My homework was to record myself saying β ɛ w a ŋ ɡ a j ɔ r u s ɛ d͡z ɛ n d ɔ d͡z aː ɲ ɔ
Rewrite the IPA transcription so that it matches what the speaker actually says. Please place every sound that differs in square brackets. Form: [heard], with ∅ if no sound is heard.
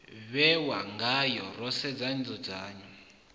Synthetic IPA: β ɛ w a ŋ ɡ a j ɔ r [ɔ] s ɛ d͡z [a] n [d͡z] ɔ d͡z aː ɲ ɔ